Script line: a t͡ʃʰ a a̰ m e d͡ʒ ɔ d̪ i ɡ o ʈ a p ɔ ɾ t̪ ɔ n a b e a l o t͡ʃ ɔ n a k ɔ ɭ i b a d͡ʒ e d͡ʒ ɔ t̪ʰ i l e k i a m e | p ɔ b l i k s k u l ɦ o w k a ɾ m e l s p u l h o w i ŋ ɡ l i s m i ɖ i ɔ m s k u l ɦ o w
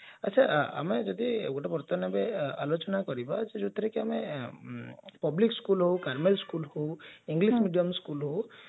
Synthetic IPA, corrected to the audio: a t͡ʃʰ a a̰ m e d͡ʒ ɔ d̪ i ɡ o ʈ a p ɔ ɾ t̪ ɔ n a b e a l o t͡ʃ ɔ n a k ɔ ɾ i b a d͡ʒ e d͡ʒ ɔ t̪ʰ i ɾ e k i a m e | p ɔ b l i k s k u l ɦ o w k a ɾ m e l s k u l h o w i ŋ ɡ l i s m i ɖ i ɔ m s k u l ɦ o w